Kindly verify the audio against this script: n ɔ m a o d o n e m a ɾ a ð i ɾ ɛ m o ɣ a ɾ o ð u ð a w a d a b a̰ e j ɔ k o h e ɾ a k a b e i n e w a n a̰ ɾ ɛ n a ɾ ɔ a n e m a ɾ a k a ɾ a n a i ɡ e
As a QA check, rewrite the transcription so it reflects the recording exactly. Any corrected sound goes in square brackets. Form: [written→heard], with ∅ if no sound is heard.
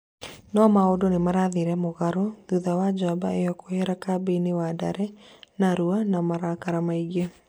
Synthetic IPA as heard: n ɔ m a o d o n e m a ɾ a ð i ɾ ɛ m o ɣ a ɾ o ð u ð a w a [d→d͡ʒ] a b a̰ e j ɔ k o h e ɾ a k a b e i n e w a [n→d] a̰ ɾ ɛ n a ɾ [ɔ→u] a n [e→a] m a ɾ a k a ɾ a [n→m] a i ɡ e